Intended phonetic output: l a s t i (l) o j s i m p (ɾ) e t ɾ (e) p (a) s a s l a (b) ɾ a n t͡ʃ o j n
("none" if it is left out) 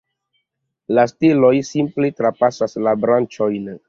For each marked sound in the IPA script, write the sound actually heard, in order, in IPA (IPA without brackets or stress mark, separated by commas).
l, l, a, a, b